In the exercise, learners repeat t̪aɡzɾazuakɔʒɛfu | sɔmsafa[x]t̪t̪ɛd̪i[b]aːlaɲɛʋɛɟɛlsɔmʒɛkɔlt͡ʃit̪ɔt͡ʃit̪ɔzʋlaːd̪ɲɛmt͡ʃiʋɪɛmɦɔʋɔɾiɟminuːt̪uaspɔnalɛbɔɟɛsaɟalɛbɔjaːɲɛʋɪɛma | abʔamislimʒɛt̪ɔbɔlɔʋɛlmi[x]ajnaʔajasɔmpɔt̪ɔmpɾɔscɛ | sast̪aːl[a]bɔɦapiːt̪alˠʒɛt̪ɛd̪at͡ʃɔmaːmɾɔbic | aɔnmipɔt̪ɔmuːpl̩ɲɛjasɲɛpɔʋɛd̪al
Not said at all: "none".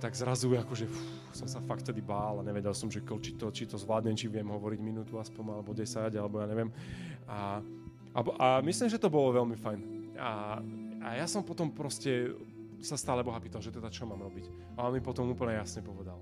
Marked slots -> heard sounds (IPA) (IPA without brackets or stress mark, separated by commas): k, b, f, ɛ